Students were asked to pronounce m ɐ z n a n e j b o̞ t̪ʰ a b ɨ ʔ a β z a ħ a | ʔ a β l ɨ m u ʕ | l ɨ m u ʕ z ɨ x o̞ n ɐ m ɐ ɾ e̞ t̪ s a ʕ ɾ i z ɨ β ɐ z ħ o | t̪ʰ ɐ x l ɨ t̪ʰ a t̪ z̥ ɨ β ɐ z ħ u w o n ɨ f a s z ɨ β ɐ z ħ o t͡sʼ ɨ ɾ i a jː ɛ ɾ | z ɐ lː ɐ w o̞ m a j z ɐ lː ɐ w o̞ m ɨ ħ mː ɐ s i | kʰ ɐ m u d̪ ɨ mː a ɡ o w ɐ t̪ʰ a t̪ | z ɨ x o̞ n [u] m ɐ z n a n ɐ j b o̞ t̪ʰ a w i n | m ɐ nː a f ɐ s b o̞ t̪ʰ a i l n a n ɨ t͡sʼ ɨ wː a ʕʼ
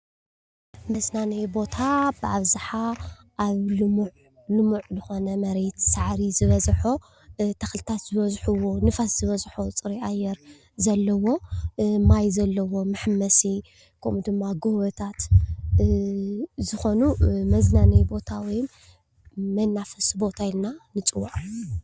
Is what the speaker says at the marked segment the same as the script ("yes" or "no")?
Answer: yes